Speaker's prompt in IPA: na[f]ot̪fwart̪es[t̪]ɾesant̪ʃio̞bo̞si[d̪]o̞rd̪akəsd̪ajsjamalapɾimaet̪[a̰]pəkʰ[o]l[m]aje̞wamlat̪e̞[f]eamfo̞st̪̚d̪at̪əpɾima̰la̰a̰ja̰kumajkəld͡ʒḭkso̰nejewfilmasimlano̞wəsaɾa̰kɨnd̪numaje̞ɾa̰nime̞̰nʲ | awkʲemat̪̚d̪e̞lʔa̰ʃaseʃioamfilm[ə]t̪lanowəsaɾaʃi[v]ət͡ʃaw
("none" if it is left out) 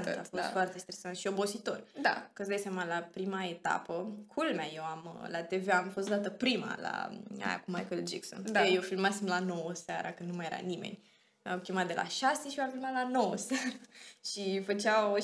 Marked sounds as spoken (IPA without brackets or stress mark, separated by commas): f, t̪, t̪, a̰, u, m, v, a, f